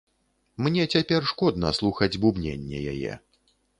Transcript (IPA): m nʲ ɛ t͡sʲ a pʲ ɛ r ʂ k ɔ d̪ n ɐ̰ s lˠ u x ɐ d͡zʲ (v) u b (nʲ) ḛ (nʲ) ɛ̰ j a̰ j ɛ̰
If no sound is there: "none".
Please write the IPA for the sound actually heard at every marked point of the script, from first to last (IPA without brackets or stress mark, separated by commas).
b, nʲ, nʲː